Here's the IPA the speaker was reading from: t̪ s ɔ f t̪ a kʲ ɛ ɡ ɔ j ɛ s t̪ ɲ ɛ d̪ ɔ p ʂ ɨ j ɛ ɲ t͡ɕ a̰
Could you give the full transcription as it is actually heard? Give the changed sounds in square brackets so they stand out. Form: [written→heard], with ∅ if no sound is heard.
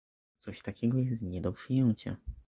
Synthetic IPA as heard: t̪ s ɔ [f→ɕ] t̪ a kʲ ɛ ɡ ɔ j ɛ s t̪ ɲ ɛ d̪ ɔ p ʂ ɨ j ɛ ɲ t͡ɕ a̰